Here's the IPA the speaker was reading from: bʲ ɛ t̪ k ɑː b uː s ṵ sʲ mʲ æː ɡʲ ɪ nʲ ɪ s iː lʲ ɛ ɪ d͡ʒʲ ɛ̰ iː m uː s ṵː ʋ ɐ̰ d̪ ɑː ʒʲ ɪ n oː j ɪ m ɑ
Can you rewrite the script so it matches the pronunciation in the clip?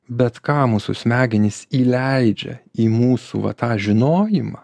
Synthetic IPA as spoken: bʲ ɛ t̪ k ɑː m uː s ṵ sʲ mʲ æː ɡʲ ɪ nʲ ɪ s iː lʲ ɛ ɪ d͡ʒʲ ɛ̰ iː m uː s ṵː ʋ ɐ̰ t̪ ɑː ʒʲ ɪ n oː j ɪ m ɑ